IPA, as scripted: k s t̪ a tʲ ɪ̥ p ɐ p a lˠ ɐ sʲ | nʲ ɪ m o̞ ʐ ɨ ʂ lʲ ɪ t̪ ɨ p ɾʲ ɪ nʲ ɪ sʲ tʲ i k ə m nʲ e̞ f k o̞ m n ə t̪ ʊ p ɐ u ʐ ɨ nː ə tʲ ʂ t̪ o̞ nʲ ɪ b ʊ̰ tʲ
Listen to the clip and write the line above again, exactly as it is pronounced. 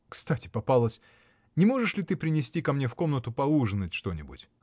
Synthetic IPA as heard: k s t̪ a tʲ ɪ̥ p ɐ p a lˠ ə sʲ | nʲ ɪ m o̞ ʐ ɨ ʂ lʲ ɪ t̪ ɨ p ɾʲ ɪ nʲ ɪ sʲ tʲ i k ɐ m nʲ e̞ f k o̞ m n ə t̪ ʊ p ɐ u ʐ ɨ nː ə tʲ ʂ t̪ o̞ nʲ ɪ b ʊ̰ tʲ